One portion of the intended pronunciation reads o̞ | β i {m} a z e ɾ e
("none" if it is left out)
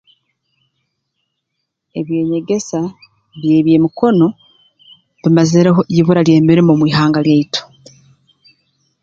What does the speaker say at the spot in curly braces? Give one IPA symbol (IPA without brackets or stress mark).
m